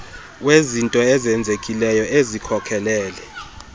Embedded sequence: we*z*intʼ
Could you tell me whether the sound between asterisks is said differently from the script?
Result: no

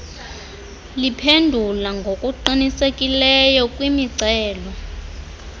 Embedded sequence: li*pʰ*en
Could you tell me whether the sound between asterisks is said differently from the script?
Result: no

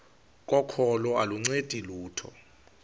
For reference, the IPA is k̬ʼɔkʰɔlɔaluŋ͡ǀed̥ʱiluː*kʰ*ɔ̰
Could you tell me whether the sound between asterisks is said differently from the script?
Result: yes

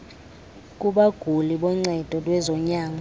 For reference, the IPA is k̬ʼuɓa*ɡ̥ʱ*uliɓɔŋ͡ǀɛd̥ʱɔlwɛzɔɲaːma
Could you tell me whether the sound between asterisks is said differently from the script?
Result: no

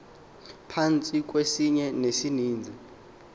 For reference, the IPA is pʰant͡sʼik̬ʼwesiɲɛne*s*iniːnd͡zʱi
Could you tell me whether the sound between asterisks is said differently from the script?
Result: no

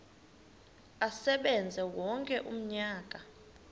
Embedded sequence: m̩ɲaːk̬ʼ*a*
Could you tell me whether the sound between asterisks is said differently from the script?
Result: no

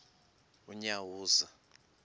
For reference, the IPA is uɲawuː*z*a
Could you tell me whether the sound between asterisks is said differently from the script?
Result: no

